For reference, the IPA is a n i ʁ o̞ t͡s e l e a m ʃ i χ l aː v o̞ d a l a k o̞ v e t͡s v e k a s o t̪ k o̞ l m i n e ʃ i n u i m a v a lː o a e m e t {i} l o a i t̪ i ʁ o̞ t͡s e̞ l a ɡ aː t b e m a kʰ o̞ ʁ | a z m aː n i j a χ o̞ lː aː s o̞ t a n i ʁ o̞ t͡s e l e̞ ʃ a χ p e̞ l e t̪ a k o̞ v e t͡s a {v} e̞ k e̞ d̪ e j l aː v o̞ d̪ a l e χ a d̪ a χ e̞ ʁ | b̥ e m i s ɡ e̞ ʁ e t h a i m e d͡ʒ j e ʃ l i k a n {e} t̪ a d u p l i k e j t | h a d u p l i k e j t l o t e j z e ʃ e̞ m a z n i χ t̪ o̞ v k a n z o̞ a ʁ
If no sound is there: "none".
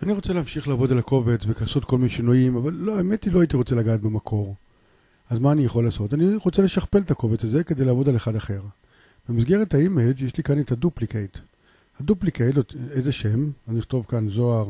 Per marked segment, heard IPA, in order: i, z, e

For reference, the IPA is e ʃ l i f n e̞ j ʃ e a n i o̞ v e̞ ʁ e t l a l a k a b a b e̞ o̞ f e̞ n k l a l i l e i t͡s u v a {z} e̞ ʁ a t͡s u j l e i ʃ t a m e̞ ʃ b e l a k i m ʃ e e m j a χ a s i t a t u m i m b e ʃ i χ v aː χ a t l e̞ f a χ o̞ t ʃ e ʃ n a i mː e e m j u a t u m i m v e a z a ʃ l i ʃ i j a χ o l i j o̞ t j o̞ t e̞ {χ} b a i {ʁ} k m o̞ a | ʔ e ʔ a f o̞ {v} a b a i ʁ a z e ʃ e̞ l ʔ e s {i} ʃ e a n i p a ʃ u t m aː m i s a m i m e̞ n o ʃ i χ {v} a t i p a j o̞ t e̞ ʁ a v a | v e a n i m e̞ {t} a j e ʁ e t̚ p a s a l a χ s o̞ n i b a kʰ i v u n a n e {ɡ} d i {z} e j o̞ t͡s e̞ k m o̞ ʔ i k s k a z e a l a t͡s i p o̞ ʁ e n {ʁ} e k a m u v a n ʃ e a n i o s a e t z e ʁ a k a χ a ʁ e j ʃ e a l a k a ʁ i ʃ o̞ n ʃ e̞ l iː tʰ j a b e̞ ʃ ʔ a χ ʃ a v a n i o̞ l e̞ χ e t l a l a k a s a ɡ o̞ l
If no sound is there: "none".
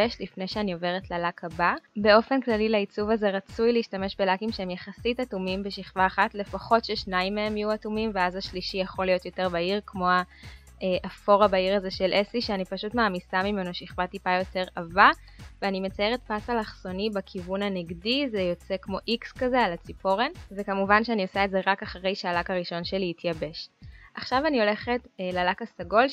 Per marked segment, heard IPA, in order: z, ʁ, ʁ, ʁ, i, v, t͡s, ɡ, z, v

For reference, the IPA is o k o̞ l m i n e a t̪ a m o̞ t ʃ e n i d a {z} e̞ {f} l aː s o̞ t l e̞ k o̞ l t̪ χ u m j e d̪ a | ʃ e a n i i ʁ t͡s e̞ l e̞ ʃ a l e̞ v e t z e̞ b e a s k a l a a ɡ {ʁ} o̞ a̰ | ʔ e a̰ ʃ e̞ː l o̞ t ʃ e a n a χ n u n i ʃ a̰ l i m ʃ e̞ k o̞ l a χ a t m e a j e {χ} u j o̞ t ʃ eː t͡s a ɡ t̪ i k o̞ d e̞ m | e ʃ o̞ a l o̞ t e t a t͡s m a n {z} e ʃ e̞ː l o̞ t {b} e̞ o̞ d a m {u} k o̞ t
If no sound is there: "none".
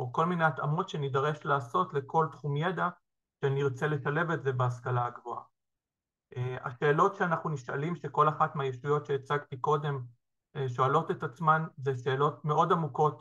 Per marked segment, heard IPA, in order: ʁ, ʃ, v, ʃ, z, m, u

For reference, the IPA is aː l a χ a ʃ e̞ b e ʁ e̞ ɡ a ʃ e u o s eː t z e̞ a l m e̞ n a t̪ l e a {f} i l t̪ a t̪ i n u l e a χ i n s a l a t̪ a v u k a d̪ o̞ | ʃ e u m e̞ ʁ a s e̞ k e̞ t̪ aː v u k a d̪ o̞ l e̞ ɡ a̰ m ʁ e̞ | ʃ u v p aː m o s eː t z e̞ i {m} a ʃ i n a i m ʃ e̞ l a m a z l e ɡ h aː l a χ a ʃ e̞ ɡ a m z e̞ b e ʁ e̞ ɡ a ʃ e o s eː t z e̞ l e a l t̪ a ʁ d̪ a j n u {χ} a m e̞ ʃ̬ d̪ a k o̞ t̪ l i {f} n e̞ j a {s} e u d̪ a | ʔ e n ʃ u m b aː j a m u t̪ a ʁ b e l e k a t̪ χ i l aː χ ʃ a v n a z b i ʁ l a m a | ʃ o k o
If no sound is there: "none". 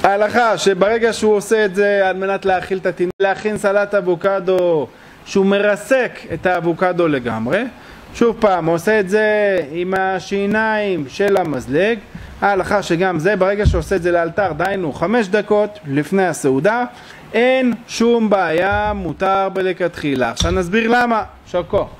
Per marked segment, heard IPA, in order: χ, m, χ, f, s

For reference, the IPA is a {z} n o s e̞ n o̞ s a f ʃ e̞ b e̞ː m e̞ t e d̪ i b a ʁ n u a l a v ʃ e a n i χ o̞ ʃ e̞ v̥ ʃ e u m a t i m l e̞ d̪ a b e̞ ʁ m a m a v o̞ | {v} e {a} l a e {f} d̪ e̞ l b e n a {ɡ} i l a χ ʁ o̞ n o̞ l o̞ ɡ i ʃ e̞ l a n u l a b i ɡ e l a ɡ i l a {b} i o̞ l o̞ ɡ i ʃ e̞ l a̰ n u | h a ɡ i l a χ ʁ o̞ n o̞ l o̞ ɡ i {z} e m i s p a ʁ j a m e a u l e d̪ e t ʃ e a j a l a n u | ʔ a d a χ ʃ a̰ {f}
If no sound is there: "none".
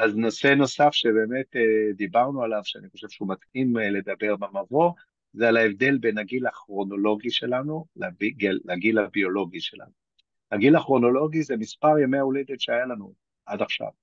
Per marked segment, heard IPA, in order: z, z, a, v, ɡ, b, z, v

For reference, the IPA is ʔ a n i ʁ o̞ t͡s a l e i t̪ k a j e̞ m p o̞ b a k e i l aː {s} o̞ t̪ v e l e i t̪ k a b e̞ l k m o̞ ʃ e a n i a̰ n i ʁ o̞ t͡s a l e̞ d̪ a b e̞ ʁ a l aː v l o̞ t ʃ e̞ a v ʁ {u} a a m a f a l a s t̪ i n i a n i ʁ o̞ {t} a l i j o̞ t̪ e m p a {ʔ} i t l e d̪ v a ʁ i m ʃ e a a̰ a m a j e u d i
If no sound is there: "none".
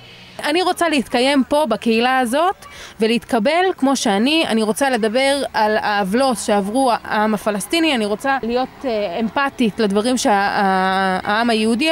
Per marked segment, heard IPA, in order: z, u, t͡s, t

